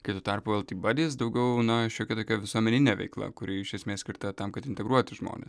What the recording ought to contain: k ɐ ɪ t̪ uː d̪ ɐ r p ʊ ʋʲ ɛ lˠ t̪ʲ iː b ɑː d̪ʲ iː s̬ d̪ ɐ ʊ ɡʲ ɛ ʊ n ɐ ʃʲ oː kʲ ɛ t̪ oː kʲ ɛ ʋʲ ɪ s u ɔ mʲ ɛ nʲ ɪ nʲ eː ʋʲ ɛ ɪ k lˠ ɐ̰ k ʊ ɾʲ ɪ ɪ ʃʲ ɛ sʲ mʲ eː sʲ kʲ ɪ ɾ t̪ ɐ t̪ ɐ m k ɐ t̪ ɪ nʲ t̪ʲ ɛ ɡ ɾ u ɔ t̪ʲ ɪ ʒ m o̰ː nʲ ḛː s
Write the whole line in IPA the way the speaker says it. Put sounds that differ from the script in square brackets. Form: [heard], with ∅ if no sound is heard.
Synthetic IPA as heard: k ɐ ɪ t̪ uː [t̪] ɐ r p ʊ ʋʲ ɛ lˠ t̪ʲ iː b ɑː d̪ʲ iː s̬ d̪ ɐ ʊ ɡʲ ɛ ʊ n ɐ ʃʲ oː kʲ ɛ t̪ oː kʲ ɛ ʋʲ ɪ s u ɔ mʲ ɛ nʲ ɪ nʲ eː ʋʲ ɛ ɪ k lˠ ɐ̰ k ʊ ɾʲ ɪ ɪ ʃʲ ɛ sʲ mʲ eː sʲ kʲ ɪ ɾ t̪ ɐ t̪ ɐ m k ɐ t̪ ɪ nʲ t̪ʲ ɛ ɡ ɾ u ɔ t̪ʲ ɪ ʒ m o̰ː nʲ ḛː s